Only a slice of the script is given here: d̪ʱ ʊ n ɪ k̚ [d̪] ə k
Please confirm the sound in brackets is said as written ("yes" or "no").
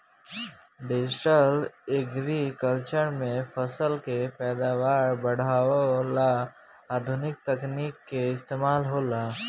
no